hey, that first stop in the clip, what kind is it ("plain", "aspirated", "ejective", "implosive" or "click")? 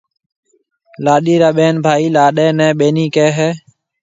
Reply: implosive